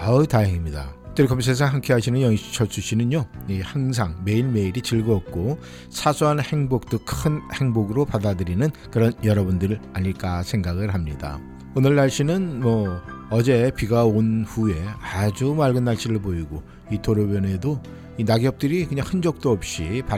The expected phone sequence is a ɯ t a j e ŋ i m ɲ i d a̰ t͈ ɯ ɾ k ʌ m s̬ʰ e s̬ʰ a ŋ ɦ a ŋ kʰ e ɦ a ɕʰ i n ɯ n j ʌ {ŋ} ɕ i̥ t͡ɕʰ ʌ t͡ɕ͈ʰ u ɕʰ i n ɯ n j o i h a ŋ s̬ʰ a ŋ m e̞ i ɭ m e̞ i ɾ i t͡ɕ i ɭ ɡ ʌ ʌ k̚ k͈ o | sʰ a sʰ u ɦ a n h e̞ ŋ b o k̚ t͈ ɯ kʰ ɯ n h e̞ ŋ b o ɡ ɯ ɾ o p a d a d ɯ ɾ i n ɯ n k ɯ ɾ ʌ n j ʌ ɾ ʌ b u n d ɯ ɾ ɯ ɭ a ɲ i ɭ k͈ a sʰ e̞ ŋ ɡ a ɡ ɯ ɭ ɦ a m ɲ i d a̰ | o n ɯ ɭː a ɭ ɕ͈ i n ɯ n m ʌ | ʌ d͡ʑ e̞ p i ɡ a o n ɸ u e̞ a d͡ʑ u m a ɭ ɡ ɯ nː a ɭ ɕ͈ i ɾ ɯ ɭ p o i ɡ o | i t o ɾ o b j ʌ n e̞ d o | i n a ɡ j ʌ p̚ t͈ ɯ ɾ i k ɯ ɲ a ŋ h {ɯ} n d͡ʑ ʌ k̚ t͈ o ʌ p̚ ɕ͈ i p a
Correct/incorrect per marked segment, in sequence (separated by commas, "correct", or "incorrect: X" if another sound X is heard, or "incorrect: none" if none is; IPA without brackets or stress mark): correct, correct